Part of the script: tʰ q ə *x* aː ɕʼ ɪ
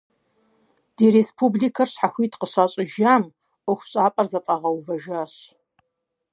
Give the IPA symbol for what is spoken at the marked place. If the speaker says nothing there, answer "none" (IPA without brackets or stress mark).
ɕ